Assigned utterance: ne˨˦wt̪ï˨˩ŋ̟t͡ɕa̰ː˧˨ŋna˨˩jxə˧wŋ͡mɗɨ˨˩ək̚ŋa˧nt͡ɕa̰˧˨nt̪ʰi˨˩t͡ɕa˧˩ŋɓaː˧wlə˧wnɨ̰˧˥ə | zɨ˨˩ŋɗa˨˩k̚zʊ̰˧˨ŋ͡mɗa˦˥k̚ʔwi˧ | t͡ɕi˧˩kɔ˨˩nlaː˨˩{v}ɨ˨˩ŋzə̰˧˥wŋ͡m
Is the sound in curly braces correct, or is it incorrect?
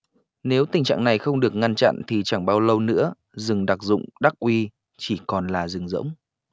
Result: incorrect